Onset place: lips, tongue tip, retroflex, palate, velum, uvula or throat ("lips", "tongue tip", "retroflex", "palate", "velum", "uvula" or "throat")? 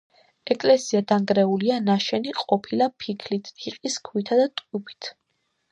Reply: velum